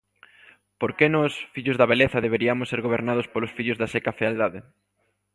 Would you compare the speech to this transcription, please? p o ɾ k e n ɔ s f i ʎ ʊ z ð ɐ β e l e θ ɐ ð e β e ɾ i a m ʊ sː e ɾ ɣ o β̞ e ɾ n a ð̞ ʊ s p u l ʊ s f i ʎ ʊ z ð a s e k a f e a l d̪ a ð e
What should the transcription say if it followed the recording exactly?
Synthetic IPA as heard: p o ɾ k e n ɔ s f i ʎ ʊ z ð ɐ β e l e θ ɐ ð e β e ɾ i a m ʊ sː e ɾ ɣ o β̞ e ɾ n a ð̞ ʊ s p o l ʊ s f i ʎ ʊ z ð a s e k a f e a l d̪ a ð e